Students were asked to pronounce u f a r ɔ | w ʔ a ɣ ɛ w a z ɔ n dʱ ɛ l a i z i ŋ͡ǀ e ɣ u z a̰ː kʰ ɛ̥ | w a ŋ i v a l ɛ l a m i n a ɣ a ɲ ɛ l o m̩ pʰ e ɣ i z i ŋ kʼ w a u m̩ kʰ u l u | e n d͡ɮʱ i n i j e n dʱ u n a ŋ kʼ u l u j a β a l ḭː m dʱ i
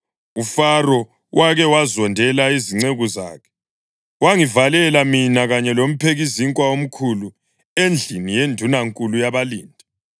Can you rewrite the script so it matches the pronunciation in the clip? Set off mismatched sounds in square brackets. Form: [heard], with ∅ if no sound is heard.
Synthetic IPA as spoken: u f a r ɔ | w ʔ a ɣ ɛ w a z ɔ n dʱ ɛ l a i z i ŋ͡ǀ e ɣ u z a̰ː kʰ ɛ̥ | w a ŋ i v a l ɛ l a m i n a ɣ a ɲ ɛ l o m̩ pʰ e ɣ i z i ŋ kʼ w a [o] m̩ kʰ u l u | e n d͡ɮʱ i n i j e n dʱ u n a ŋ kʼ u l u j a β a l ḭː [n] dʱ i

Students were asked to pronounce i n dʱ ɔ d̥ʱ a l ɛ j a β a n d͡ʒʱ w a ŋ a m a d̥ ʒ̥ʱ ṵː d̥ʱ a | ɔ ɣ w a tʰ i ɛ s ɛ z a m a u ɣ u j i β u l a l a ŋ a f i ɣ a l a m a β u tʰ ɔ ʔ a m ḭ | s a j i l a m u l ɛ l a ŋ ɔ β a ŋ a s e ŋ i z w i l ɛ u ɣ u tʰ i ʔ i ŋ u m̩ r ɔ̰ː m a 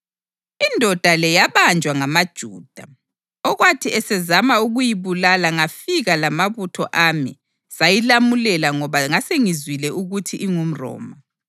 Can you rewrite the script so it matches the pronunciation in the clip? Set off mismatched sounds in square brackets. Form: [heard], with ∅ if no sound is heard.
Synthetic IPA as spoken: i n dʱ ɔ d̥ʱ a l ɛ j a β a n d͡ʒʱ w a ŋ a m a d̥ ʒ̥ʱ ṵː d̥ʱ a | ɔ ɣ w a tʰ i ɛ s ɛ z a m a u ɣ u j i β u l a l a ŋ a f i ɣ a l a m a β u tʰ ɔ ʔ a m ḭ | s a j i l a m u l ɛ l a ŋ ɔ β a ŋ a s e ŋ i z w i l ɛ u ɣ u tʰ i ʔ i ŋ u m̩ r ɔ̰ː m a

